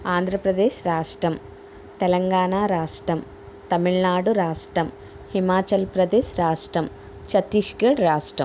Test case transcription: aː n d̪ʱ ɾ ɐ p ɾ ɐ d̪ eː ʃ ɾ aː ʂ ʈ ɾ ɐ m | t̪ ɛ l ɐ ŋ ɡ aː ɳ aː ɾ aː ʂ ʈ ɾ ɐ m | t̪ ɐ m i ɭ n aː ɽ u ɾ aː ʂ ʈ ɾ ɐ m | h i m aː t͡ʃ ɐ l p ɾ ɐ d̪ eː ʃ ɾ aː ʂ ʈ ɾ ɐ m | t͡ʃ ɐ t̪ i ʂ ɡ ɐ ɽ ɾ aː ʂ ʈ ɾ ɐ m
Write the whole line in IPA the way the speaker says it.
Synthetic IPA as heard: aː n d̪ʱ ɾ ɐ p ɾ ɐ d̪ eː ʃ ɾ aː ʂ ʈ ɾ ɐ m | t̪ ɛ l ɐ ŋ ɡ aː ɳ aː ɾ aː ʂ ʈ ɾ ɐ m | t̪ ɐ m i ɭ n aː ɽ u ɾ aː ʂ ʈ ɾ ɐ m | h i m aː t͡ʃ ɐ l p ɾ ɐ d̪ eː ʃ ɾ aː ʂ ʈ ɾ ɐ m | t͡ʃ ɐ t̪ i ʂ ɡ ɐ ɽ ɾ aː ʂ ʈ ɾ ɐ m